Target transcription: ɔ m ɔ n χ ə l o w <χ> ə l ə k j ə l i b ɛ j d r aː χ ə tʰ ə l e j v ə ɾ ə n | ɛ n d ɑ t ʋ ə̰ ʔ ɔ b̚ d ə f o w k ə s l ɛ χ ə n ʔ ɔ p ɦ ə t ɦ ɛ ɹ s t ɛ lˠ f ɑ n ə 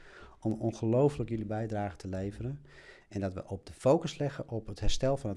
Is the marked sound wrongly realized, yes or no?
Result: yes